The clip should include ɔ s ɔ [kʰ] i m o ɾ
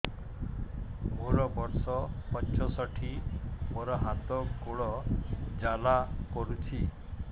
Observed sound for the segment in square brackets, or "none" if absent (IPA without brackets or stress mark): ʈʰ